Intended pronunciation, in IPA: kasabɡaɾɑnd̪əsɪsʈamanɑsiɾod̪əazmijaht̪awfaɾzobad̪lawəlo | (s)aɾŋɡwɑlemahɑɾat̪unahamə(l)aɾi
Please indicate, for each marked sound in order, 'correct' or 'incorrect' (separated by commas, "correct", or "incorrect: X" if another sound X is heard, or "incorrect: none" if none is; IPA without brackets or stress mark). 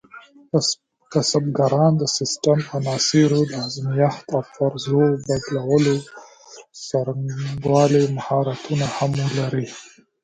correct, correct